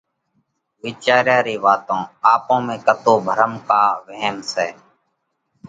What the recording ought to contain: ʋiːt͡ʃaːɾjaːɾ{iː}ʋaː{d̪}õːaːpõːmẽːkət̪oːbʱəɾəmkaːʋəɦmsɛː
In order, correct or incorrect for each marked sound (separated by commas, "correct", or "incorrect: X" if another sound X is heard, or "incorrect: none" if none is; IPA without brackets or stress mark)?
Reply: correct, incorrect: t̪